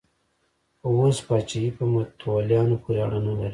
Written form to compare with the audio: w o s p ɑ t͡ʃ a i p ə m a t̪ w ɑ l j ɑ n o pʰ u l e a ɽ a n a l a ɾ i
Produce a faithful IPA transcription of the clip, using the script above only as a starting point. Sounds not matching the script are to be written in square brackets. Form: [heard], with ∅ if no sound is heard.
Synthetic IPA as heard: w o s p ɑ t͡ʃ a i p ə m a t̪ w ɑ l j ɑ n o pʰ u [ɾ] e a ɽ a n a l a ɾ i